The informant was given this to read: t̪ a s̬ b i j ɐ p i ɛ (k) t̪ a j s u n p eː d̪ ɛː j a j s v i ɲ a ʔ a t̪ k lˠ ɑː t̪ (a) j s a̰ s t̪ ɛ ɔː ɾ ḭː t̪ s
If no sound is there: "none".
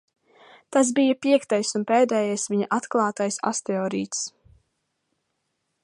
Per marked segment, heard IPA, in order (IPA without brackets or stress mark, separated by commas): k, a